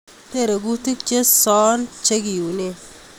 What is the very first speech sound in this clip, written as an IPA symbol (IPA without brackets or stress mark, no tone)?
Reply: t